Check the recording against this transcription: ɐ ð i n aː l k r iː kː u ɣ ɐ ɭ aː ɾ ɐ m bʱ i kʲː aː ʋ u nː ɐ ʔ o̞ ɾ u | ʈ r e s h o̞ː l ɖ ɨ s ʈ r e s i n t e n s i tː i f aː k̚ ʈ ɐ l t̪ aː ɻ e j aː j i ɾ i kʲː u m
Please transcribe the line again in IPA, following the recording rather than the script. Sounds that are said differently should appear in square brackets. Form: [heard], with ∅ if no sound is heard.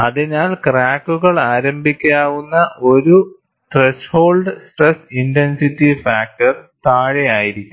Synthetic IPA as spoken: ɐ ð i n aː l k r [aː] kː u ɣ ɐ ɭ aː ɾ ɐ m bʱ i kʲː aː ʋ u nː ɐ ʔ o̞ ɾ u | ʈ r e s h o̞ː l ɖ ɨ s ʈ r e s i n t e n s i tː i f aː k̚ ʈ ɐ [r] t̪ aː ɻ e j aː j i ɾ i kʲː u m